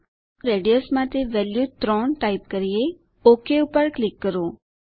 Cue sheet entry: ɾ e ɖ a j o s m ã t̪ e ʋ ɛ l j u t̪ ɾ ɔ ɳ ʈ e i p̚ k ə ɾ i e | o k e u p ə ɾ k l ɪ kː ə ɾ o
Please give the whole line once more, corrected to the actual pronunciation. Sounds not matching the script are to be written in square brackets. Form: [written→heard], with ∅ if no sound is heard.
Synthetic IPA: ɾ e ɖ [a→i] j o s m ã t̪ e ʋ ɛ l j u t̪ ɾ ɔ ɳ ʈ [e→a] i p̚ k ə ɾ i e | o k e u p ə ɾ k l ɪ kː ə ɾ o